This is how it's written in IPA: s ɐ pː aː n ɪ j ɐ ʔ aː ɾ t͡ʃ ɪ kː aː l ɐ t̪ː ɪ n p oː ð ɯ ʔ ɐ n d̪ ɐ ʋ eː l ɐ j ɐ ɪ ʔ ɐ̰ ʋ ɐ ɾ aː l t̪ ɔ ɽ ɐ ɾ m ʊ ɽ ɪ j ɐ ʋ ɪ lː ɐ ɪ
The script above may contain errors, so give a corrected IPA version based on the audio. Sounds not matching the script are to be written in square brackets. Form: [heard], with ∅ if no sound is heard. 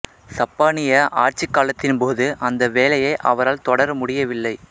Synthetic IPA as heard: s ɐ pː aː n ɪ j ɐ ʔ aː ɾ t͡ʃ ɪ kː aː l ɐ t̪ː ɪ n p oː ð ɯ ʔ ɐ n d̪ ɐ ʋ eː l ɐ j ɐ ɪ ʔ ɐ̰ ʋ ɐ ɾ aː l t̪ ɔ ɽ ɐ ɾ m ʊ ɽ ɪ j ɐ ʋ ɪ lː ɐ ɪ